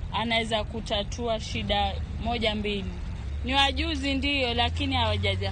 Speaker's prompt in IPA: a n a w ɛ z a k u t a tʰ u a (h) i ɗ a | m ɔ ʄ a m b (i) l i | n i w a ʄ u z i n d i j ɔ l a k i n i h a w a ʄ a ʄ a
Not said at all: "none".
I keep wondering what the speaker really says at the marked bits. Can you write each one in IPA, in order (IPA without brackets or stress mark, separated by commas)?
ʃ, i